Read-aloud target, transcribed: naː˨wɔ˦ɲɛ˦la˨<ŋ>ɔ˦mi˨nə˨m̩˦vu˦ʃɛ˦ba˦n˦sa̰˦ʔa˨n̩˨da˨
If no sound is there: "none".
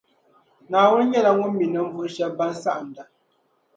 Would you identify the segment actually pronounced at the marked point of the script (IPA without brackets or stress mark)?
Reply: ŋ